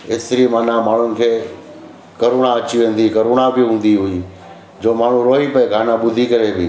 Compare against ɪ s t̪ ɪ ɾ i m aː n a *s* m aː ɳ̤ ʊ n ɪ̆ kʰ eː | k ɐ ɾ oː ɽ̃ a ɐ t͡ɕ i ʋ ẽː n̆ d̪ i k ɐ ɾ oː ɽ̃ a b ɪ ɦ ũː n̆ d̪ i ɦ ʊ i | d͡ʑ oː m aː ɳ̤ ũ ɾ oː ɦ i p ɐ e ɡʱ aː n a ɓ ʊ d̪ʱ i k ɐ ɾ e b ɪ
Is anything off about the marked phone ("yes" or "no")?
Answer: yes